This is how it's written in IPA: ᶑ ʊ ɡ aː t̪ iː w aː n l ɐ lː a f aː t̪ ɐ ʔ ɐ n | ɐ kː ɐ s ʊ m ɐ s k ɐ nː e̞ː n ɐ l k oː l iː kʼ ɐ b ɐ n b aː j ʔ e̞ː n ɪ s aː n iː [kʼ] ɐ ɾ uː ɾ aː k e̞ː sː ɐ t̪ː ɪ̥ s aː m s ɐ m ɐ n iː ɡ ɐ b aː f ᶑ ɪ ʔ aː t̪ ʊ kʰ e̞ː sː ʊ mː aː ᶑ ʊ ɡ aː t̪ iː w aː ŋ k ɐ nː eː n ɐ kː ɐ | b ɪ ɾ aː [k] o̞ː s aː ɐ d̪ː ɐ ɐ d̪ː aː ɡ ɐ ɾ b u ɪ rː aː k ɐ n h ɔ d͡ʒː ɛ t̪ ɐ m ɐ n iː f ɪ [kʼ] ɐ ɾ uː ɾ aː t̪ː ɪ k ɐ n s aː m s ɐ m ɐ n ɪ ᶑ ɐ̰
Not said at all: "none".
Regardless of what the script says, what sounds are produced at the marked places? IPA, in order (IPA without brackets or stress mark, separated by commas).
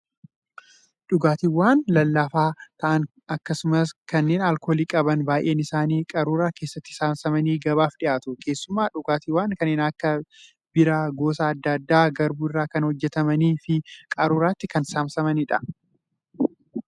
kʼ, ɡ, kʼ